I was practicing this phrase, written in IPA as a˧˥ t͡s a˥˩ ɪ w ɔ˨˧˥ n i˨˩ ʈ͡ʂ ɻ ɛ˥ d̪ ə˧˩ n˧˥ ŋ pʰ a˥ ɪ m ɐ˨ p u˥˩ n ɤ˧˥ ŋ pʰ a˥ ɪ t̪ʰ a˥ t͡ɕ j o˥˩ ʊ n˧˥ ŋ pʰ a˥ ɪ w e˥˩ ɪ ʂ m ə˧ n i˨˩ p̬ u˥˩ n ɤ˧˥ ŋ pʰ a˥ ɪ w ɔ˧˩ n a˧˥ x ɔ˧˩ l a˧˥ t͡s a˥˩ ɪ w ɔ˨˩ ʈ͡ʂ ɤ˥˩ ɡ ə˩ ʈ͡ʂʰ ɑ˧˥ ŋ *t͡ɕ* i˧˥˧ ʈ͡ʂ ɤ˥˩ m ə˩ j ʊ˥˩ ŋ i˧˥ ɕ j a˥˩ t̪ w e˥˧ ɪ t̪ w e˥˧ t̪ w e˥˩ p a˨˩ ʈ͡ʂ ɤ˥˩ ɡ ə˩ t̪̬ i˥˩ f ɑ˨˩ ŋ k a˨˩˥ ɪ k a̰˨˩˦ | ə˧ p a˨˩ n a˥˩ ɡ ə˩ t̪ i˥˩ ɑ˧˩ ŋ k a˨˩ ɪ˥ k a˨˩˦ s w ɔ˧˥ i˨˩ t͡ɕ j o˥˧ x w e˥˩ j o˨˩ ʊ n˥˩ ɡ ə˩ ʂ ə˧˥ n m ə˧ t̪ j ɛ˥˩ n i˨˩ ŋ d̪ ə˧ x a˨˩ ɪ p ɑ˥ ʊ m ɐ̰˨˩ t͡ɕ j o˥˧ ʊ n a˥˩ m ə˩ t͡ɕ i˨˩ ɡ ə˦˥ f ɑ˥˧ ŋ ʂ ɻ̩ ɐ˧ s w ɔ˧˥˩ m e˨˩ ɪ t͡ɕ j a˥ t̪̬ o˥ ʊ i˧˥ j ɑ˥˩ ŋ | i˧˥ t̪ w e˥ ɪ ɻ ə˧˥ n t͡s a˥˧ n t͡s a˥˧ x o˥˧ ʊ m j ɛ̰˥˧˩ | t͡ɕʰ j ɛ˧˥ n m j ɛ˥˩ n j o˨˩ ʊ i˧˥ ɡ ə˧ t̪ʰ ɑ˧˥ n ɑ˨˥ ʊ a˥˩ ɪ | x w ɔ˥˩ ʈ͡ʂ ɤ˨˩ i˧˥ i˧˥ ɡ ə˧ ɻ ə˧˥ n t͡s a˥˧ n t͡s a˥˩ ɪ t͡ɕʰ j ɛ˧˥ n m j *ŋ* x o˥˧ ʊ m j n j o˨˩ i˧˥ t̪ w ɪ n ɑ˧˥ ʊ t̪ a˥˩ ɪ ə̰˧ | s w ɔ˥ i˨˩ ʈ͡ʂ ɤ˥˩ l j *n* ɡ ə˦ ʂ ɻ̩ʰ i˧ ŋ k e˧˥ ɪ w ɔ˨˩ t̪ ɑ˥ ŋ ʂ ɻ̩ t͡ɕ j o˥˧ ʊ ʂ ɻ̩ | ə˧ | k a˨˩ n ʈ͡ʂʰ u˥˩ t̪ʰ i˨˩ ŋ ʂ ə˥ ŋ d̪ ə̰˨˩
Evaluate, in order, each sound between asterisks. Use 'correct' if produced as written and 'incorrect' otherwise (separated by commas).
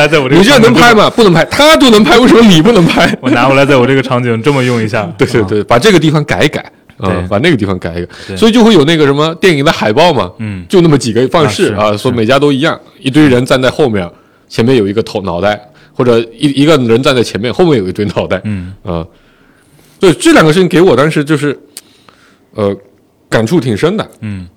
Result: correct, incorrect, incorrect